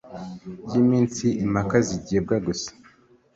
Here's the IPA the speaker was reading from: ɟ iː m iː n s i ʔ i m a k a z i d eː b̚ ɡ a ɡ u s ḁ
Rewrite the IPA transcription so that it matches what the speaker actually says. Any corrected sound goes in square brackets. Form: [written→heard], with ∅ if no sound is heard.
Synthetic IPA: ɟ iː m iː n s i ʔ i m a k a z i [d→ɟ] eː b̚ ɡ a ɡ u s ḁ